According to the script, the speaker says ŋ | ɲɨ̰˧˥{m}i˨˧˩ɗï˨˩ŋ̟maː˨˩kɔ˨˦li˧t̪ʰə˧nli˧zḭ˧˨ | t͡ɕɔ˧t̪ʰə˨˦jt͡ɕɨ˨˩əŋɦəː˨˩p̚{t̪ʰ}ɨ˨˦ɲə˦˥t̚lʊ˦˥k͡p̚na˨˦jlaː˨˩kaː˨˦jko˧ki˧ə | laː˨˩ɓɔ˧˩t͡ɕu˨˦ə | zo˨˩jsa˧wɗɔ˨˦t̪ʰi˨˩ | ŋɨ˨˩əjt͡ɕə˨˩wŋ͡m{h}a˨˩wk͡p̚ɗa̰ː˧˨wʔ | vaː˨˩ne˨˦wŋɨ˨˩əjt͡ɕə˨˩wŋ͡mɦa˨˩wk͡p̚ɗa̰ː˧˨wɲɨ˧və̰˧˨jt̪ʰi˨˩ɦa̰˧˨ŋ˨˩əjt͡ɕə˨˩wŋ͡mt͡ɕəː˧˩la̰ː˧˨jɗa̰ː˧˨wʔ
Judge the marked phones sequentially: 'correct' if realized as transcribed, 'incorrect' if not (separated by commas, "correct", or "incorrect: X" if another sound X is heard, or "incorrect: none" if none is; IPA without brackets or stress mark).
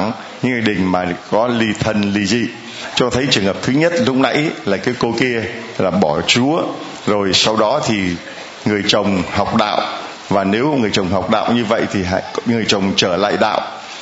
incorrect: ŋ, correct, correct